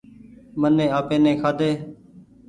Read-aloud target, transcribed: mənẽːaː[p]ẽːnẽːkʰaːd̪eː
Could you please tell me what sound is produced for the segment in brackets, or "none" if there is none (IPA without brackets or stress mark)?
p